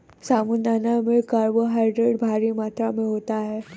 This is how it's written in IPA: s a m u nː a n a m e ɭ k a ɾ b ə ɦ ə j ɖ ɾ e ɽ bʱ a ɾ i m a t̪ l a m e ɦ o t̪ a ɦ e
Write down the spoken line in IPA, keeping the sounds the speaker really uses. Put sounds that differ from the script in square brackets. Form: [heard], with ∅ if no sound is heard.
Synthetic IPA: s a m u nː a n a m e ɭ k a ɾ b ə ɦ [a] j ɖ ɾ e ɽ bʱ a ɾ i m a t̪ [ɾ] a m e ɦ o t̪ a ɦ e